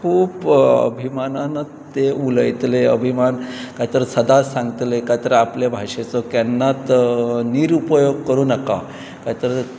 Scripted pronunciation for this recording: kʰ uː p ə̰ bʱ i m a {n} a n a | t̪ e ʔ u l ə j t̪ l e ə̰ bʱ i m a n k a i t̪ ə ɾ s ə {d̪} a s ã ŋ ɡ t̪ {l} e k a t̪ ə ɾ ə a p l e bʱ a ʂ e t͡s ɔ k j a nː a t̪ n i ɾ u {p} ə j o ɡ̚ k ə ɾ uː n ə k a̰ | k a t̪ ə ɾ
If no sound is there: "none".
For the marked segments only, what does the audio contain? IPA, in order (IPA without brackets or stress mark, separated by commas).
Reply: n, d̪, l, p